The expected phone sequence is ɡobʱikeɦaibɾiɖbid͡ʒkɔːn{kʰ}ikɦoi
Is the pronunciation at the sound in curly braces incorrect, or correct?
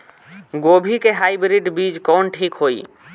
incorrect